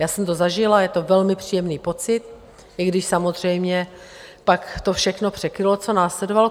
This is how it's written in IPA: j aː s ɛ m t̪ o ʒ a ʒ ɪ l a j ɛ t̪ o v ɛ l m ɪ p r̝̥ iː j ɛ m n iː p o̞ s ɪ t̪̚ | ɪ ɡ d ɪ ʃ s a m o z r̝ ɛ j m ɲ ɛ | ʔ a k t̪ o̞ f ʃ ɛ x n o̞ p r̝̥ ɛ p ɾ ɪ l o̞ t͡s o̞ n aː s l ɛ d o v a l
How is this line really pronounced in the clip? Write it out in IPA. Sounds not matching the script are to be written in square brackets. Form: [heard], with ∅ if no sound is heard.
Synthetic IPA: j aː s ɛ m t̪ o [z] a ʒ ɪ l a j ɛ t̪ o v ɛ l m ɪ p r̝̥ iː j ɛ m n iː p o̞ [t͡s] ɪ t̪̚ | ɪ ɡ d ɪ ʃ s a m o z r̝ ɛ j m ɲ ɛ | [p] a k t̪ o̞ f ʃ ɛ x n o̞ p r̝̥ ɛ [k] ɾ ɪ l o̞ t͡s o̞ n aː s l ɛ d o v a l